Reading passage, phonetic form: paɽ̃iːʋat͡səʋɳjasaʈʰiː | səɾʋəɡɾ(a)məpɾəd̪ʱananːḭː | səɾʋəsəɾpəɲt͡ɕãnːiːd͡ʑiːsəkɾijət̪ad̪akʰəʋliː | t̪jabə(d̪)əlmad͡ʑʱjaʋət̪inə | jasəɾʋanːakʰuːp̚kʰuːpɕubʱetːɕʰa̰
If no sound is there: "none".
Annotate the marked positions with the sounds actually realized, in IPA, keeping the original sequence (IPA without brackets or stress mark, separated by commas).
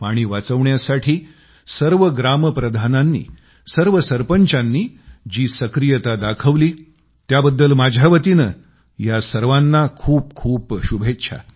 a, d̪ː